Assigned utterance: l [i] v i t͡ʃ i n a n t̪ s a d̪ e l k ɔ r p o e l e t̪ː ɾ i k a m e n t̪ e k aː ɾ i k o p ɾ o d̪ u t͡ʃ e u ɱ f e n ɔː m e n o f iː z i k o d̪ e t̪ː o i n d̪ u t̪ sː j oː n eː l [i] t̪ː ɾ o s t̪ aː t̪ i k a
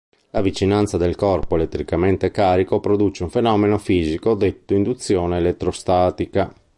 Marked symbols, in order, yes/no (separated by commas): no, no